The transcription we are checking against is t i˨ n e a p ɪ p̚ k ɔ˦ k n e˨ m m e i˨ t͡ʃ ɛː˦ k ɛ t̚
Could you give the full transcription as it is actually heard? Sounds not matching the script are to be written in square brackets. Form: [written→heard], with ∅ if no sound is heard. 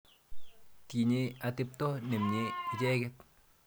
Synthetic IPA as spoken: t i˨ [n→ɲ] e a [p→t] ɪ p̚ [k→t] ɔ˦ [k→∅] n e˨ m [m→ɲ] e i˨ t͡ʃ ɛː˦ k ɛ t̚